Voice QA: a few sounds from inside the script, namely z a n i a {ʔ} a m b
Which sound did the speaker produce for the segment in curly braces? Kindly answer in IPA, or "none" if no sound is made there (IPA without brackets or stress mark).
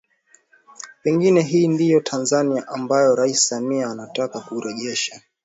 ʔ